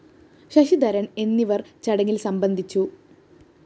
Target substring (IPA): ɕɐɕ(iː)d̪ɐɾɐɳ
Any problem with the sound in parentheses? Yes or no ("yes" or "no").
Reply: yes